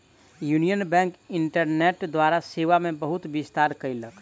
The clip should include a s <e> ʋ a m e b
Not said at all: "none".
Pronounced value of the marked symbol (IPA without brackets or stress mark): e